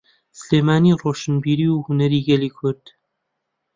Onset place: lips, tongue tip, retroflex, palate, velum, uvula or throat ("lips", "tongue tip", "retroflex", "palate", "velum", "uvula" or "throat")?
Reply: tongue tip